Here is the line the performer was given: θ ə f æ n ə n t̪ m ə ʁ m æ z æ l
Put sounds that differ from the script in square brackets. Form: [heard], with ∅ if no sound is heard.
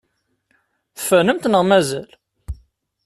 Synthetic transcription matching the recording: θ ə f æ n ə [m] t̪ [n] ə ʁ m æ z æ l

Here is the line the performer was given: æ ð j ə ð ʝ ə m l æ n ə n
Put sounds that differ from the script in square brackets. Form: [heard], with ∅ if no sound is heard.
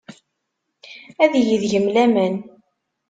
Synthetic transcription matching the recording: æ ð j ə ð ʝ ə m l æ [m] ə n

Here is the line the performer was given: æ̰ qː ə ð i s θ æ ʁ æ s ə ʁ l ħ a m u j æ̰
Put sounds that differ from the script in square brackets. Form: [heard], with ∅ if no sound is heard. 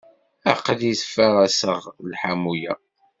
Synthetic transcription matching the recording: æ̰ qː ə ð i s [f] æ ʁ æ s ə ʁ l ħ a m u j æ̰

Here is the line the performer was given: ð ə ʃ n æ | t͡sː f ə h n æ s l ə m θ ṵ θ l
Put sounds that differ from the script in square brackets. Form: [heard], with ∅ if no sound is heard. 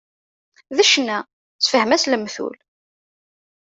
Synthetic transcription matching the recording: ð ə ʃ n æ | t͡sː f ə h [m] æ s l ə m θ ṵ [∅] l

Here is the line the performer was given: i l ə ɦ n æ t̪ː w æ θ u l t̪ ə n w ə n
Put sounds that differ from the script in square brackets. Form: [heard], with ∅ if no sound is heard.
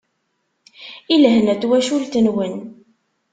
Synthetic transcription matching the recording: i l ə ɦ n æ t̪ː w æ [ʃ] u l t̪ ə n w ə n

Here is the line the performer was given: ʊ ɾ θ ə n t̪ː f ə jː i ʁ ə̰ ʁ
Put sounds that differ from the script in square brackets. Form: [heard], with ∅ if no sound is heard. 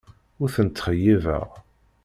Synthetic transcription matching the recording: ʊ ɾ θ ə n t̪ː [χ] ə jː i [v] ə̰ ʁ

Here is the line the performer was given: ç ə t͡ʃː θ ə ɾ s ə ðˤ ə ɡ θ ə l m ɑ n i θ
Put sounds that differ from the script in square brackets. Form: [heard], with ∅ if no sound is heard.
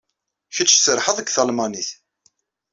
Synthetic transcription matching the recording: ç ə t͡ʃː [s] ə ɾ [ħ] ə ðˤ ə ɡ θ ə l m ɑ n i θ

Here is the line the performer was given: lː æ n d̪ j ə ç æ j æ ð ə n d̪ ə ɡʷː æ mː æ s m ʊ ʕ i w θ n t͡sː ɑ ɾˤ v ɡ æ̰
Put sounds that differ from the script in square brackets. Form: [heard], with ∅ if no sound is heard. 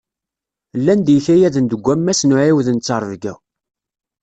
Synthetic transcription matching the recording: lː æ n d̪ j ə ç æ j æ ð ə n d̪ ə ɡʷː æ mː æ s [n] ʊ ʕ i w [ð] n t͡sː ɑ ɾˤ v ɡ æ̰

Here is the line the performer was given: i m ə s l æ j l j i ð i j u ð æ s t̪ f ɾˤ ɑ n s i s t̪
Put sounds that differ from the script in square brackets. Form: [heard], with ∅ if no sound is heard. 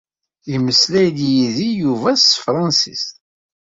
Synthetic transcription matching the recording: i m ə s l æ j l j i ð i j u [v] æ s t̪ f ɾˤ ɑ n s i s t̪

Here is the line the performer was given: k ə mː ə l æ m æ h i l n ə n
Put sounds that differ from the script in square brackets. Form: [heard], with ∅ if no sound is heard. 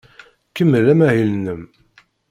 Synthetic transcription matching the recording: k ə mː ə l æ m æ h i l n ə [m]

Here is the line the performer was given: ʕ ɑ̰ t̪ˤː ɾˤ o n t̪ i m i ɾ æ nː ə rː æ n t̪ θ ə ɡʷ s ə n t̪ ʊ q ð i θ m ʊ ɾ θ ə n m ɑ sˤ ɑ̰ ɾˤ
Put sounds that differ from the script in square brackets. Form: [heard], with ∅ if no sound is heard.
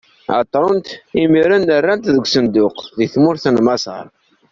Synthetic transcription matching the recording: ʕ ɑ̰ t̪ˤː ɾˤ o n t̪ i m i ɾ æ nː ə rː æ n t̪ [ð] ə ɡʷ s ə n [d̪] ʊ q ð i θ m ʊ ɾ θ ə n m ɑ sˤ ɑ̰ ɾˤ

